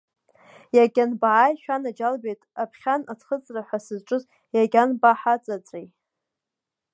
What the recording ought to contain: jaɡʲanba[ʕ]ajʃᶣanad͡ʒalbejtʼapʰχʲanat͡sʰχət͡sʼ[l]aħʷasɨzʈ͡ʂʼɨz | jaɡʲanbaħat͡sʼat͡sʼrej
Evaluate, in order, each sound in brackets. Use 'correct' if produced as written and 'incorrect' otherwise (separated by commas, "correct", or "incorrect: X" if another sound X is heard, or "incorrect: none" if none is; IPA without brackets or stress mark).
correct, incorrect: r